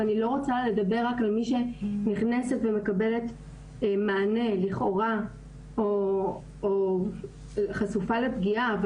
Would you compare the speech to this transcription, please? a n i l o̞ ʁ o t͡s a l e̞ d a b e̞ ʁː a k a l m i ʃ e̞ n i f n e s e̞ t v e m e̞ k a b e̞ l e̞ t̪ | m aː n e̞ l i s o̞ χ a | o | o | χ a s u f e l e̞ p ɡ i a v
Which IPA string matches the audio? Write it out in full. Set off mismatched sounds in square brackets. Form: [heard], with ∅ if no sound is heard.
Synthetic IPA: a n i l o̞ ʁ o t͡s a l e̞ d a b e̞ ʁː a k a l m i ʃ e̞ n i [χ] n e s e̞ t v e m e̞ k a b e̞ l e̞ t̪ | m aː n e̞ l i [χ] o̞ [ʁ] a | o | o | χ a s u f [a] l e̞ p ɡ i a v